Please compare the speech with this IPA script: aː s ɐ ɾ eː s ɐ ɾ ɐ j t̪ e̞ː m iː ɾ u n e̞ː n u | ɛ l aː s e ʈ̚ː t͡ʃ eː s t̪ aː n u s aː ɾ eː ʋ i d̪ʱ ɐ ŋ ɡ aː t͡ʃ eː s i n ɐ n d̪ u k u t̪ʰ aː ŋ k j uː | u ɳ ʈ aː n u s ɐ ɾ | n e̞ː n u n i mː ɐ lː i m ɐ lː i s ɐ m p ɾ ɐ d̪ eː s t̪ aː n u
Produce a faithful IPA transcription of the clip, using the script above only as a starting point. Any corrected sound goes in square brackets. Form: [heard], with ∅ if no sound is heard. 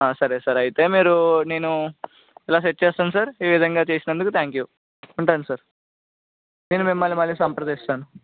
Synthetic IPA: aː s ɐ ɾ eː s ɐ ɾ ɐ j t̪ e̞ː m iː ɾ u n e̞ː n u | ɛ l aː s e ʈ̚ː t͡ʃ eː s t̪ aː n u s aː ɾ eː ʋ i d̪ʱ ɐ ŋ ɡ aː t͡ʃ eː s i n ɐ n d̪ u k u t̪ʰ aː ŋ k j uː | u ɳ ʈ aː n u s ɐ ɾ | n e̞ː n u [m] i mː ɐ lː i m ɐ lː i s ɐ m p ɾ ɐ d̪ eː s t̪ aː n u

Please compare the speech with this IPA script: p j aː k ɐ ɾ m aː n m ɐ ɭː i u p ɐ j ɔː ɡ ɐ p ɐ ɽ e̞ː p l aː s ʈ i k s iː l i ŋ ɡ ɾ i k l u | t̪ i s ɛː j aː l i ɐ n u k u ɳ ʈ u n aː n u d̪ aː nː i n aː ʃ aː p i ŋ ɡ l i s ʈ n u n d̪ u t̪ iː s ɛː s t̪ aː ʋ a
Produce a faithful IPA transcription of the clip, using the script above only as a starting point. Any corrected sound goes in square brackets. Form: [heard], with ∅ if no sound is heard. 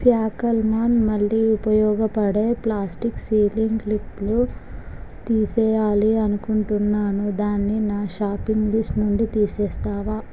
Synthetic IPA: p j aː k ɐ [l] m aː n m ɐ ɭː i u p ɐ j ɔː ɡ ɐ p ɐ ɽ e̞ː p l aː s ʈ i k s iː l i ŋ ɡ [l] i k l u | t̪ [iː] s ɛː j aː l i ɐ n u k u ɳ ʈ u [nː] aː n u d̪ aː nː i n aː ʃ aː p i ŋ ɡ l i s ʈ n u n d̪ u t̪ iː s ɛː s t̪ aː ʋ a

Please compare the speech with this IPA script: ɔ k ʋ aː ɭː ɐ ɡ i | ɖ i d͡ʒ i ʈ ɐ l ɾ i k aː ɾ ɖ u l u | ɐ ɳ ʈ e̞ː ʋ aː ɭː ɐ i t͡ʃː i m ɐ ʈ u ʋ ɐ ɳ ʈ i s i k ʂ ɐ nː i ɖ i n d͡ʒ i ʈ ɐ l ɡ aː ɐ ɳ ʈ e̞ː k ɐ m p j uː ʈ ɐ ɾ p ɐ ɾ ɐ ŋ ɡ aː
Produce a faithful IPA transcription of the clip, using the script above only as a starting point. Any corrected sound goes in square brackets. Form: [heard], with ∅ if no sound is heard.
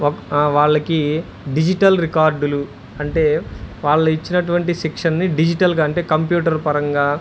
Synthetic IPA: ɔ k ʋ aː ɭː ɐ [k] i | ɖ i d͡ʒ i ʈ ɐ l ɾ i k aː ɾ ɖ u l u | ɐ ɳ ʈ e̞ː ʋ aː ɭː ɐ i t͡ʃː i [n] ɐ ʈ u ʋ ɐ ɳ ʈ i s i k ʂ ɐ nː i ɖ i [∅] d͡ʒ i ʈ ɐ l ɡ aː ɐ ɳ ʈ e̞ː k ɐ m p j uː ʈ ɐ ɾ p ɐ ɾ ɐ ŋ ɡ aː

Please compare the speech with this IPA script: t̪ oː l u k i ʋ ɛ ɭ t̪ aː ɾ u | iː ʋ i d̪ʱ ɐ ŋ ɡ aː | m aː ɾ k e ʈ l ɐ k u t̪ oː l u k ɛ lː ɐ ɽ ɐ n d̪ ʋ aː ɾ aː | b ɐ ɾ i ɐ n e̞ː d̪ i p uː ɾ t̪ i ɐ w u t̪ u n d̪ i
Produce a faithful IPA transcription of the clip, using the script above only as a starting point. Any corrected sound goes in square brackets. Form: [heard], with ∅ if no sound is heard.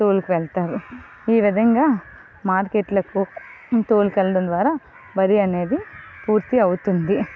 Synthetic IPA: t̪ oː l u k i ʋ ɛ ɭ t̪ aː ɾ u | iː ʋ i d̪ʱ ɐ ŋ ɡ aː | m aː ɾ k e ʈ l ɐ k u t̪ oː l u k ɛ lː ɐ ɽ ɐ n d̪ ʋ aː ɾ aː | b ɐ ɾ i ɐ n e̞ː d̪ i p uː ɾ t̪ i ɐ w u t̪ u n d̪ i

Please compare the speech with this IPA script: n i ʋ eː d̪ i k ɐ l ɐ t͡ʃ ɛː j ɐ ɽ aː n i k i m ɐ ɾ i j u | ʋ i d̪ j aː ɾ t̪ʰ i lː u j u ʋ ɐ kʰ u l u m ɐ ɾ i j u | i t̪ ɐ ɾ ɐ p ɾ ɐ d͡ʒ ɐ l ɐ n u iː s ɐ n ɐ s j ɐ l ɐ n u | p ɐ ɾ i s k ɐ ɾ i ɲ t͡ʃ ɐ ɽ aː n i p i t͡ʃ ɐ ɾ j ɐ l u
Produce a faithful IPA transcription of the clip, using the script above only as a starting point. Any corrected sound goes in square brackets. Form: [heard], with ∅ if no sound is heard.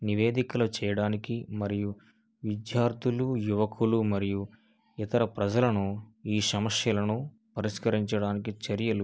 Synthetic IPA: n i ʋ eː d̪ i k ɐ l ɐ t͡ʃ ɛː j ɐ ɽ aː n i k i m ɐ ɾ i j u | ʋ i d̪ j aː ɾ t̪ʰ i [l] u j u ʋ ɐ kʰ u l u m ɐ ɾ i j u | i t̪ ɐ ɾ ɐ p ɾ ɐ d͡ʒ ɐ l ɐ n u iː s ɐ [m] ɐ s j ɐ l ɐ n u | p ɐ ɾ i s k ɐ ɾ i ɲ t͡ʃ ɐ ɽ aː n i [k] i t͡ʃ ɐ ɾ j ɐ l u

